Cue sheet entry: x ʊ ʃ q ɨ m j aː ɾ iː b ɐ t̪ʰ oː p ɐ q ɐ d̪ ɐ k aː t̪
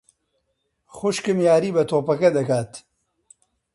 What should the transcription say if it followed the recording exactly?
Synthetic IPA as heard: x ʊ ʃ k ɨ m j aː ɾ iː b ɐ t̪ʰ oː p ɐ k ɐ d̪ ɐ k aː t̪